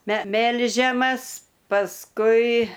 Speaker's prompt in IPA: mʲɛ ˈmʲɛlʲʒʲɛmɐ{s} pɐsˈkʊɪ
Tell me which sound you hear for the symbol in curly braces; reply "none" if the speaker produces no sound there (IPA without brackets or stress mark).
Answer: s